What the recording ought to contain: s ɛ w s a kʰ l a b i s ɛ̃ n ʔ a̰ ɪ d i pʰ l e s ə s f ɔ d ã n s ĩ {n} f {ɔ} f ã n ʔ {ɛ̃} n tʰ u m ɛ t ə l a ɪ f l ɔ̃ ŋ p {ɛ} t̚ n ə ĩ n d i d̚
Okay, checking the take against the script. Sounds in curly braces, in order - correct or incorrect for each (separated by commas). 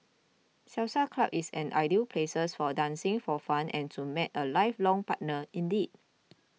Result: incorrect, correct, correct, incorrect